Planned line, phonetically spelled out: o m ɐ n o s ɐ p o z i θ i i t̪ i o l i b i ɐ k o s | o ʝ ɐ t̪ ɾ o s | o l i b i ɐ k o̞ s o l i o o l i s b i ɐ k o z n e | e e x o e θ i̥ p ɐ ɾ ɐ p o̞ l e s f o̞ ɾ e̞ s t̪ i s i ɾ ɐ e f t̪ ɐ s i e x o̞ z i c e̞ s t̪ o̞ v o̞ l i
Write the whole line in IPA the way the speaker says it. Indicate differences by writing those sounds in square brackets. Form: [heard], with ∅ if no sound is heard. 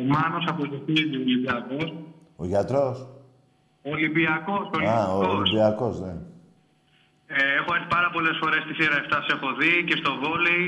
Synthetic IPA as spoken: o m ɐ n o s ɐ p o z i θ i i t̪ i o l i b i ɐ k o s | o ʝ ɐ t̪ ɾ o s | o l i b i ɐ k o̞ s o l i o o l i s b i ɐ k o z n e | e e x o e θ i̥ p ɐ ɾ ɐ p o̞ l e s f o̞ ɾ e̞ s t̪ i [θ] i ɾ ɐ e f t̪ ɐ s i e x o̞ [ð] i c e̞ s t̪ o̞ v o̞ l i